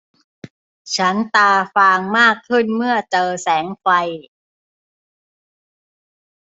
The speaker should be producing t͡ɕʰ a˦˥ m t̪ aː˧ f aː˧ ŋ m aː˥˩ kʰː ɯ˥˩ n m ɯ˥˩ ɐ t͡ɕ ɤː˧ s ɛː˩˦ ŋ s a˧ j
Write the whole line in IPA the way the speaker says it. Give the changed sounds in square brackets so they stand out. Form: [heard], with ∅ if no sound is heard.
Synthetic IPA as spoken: t͡ɕʰ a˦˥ [n] t̪ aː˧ f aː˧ ŋ m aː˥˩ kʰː ɯ˥˩ n m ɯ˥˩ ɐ t͡ɕ ɤː˧ s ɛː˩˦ ŋ [f] a˧ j